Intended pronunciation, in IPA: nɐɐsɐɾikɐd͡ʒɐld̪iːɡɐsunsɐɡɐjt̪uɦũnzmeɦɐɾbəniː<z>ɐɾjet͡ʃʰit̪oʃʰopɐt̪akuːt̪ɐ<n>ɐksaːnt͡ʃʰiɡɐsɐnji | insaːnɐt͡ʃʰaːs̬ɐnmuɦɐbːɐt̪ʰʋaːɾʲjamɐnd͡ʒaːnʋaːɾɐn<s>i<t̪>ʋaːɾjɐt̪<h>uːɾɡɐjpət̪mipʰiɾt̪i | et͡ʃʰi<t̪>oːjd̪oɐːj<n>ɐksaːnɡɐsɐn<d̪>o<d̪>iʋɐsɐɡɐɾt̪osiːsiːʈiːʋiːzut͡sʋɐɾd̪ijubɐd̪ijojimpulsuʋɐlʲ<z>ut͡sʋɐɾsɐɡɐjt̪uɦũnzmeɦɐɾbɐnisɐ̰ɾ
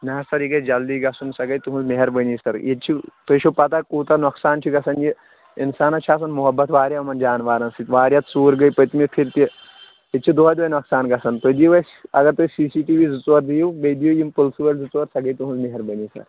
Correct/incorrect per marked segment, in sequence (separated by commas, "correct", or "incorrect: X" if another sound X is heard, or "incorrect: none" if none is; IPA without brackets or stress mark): incorrect: s, correct, correct, correct, incorrect: s, incorrect: d̪, correct, incorrect: t̪, correct, correct